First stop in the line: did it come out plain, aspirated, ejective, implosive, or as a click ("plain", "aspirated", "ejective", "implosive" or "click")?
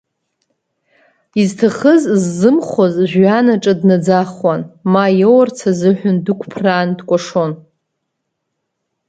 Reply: aspirated